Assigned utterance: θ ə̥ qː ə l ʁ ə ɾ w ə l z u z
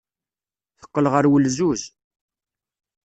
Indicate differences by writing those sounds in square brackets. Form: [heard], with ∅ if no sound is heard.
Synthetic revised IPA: θ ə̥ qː ə l ʁ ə ɾ w ə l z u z